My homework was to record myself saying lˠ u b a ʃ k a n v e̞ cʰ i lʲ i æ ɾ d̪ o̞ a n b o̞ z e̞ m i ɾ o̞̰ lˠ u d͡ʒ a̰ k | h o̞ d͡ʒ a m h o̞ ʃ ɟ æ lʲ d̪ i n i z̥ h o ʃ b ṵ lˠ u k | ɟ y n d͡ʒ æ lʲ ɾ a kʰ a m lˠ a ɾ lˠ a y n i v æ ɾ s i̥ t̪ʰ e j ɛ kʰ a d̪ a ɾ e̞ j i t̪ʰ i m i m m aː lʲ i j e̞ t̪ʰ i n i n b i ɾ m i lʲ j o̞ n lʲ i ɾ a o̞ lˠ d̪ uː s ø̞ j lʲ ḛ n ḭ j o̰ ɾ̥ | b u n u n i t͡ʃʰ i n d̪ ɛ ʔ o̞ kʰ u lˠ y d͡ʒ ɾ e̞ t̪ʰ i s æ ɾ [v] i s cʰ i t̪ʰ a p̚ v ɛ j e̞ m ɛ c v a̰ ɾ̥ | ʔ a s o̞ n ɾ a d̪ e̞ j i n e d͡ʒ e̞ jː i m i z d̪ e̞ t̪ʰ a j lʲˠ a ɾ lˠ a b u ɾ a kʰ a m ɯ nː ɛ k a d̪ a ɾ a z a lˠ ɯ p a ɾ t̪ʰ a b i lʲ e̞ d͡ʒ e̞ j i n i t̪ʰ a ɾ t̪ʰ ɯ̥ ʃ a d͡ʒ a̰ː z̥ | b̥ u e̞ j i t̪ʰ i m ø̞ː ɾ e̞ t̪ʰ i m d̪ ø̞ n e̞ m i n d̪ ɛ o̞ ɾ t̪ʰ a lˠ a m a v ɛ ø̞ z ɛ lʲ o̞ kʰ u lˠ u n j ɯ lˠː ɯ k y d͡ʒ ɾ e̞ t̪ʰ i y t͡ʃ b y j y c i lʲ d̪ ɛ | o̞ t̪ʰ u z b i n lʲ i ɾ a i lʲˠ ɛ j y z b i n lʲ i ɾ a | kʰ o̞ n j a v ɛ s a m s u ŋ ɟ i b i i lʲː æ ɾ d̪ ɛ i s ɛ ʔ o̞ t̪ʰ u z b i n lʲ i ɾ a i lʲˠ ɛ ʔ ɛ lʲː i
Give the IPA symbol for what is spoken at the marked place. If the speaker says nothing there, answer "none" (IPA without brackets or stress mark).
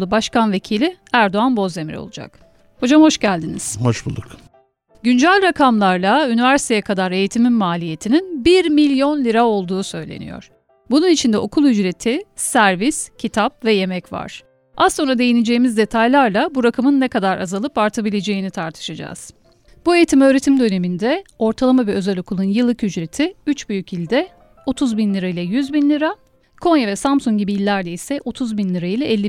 v